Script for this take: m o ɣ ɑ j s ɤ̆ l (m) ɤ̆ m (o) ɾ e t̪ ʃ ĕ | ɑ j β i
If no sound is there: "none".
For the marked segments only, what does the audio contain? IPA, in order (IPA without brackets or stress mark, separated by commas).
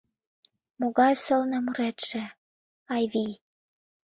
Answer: n, u